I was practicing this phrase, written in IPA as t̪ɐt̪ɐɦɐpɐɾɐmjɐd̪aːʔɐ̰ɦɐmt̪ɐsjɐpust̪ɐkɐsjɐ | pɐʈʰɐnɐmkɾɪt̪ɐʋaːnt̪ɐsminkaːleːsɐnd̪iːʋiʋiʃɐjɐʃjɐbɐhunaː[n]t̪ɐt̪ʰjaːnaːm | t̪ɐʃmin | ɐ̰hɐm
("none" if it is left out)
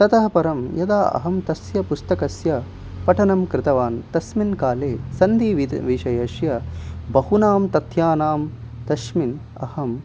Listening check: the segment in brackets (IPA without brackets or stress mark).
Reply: m